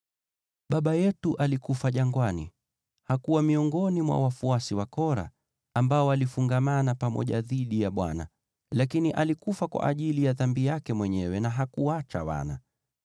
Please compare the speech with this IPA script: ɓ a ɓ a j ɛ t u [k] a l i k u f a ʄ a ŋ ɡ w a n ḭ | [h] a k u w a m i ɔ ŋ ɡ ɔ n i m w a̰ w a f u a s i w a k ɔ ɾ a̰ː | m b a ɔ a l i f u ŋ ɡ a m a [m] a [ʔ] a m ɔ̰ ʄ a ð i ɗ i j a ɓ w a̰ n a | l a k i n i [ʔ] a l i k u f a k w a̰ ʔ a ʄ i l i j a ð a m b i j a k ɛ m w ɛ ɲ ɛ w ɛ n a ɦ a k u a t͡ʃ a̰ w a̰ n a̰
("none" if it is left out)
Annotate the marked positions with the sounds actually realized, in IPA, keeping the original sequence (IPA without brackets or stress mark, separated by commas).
ʔ, h, n, p, ʔ